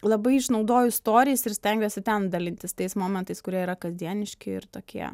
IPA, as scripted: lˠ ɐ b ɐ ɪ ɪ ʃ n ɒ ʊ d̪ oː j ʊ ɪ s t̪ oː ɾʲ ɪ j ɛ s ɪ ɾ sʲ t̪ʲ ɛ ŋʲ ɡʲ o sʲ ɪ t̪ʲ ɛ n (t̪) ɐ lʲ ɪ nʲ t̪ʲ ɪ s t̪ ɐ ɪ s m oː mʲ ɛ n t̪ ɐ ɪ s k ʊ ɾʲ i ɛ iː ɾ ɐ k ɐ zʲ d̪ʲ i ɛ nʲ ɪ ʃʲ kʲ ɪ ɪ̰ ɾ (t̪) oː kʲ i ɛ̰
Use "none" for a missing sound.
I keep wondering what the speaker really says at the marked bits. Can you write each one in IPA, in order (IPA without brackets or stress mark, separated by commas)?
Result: d̪, t̪